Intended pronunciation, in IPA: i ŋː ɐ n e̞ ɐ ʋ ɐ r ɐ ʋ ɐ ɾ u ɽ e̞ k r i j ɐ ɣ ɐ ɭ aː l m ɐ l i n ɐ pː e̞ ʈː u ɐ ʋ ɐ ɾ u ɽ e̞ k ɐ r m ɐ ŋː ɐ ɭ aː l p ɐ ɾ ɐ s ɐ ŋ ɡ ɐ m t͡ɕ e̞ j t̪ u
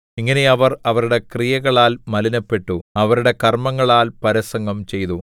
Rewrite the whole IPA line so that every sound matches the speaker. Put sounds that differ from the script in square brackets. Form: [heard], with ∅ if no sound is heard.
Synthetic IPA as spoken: i ŋː ɐ n e̞ ɐ ʋ ɐ r ɐ ʋ ɐ ɾ u ɽ e̞ k r i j ɐ ɣ ɐ ɭ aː l m ɐ l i n ɐ pː e̞ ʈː u ɐ ʋ ɐ ɾ u ɽ e̞ k ɐ r m ɐ ŋː ɐ ɭ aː l p ɐ ɾ ɐ s ɐ ŋ ɡ ɐ m t͡ɕ e̞ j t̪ u